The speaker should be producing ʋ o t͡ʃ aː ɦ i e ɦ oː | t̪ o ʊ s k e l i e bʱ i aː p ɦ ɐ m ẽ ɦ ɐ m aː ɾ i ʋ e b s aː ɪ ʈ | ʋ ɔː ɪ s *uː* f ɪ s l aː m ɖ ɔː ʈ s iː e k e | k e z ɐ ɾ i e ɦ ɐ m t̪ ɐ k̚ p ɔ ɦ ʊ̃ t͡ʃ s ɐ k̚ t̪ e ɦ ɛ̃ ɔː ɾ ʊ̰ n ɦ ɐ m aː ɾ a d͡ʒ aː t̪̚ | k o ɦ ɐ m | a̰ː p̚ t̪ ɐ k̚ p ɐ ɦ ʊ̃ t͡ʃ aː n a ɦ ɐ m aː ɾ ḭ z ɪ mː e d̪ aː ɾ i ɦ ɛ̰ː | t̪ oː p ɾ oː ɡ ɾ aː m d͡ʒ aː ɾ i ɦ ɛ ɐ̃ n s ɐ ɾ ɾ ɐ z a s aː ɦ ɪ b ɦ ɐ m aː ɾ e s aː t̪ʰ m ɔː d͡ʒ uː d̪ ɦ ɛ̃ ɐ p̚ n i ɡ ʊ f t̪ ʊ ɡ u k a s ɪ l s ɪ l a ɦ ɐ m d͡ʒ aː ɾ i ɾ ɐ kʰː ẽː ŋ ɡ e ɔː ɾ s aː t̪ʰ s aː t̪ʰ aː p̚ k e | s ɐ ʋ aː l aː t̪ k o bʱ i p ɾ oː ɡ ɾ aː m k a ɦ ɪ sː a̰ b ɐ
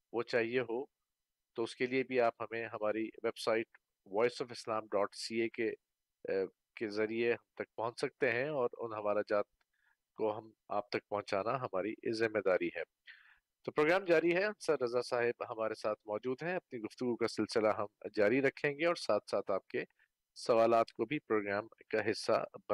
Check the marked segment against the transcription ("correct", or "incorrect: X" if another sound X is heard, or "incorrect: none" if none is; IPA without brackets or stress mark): incorrect: ɔː